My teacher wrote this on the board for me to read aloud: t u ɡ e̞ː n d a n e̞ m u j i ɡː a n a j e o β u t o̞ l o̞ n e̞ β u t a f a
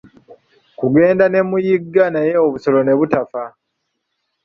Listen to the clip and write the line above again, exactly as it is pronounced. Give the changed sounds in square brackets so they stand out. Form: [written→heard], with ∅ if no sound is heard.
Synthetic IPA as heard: [t→k] u ɡ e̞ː n d a n e̞ m u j i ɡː a n a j e o β u [t→s] o̞ l o̞ n e̞ β u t a f a